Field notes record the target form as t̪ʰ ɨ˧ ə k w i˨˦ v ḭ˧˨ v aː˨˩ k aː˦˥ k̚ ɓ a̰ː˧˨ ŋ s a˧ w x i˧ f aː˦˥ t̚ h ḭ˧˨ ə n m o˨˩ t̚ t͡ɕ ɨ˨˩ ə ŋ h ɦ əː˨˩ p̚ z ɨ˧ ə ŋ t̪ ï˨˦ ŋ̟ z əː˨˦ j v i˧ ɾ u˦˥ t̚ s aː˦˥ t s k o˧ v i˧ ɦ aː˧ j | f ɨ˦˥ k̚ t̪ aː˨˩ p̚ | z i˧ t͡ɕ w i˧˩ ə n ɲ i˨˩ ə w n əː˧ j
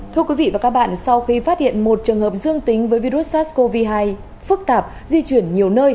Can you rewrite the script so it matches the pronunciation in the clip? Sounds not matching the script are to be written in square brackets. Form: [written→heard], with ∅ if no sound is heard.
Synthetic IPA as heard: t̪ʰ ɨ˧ ə k w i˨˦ v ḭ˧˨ v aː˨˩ k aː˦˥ k̚ ɓ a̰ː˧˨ [ŋ→n] s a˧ w x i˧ f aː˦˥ t̚ h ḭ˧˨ ə n m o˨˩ t̚ t͡ɕ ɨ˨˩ ə ŋ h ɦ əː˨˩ p̚ z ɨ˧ ə ŋ t̪ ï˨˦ ŋ̟ [z→v] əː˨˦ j v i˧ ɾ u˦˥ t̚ s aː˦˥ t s k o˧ v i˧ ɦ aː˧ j | f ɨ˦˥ k̚ t̪ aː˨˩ p̚ | z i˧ t͡ɕ w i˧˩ ə n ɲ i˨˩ ə w n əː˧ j